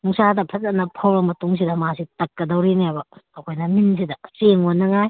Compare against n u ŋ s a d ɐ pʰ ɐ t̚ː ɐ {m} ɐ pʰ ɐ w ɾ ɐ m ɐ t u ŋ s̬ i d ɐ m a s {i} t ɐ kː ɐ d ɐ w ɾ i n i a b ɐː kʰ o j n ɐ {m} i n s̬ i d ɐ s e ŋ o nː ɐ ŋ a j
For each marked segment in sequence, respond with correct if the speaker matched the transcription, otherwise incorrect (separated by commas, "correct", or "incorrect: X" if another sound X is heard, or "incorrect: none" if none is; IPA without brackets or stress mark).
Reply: incorrect: n, correct, correct